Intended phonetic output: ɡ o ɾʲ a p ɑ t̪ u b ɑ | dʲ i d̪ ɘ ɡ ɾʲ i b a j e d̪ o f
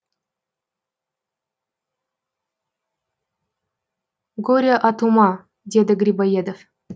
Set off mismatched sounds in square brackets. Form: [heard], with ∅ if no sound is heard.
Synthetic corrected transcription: ɡ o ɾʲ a [ʔ] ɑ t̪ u [m] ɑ | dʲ [e] d̪ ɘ ɡ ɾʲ i b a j e d̪ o f